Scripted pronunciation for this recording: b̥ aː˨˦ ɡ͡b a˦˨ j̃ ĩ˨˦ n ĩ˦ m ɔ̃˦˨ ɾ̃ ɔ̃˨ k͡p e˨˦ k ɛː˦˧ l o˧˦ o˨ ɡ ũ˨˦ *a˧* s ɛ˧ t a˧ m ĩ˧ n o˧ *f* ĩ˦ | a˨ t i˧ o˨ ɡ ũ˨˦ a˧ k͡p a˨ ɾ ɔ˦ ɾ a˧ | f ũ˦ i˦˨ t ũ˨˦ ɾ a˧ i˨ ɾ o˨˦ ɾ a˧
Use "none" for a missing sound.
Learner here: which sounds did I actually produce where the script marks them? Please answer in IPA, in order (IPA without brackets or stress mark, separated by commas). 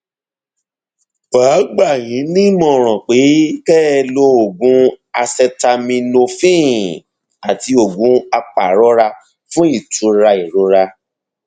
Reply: a˧, f